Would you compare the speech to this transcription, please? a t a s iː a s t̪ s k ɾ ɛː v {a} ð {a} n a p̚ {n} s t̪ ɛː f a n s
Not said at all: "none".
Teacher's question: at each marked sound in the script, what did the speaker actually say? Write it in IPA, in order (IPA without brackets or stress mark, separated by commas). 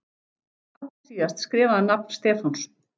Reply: a, a, n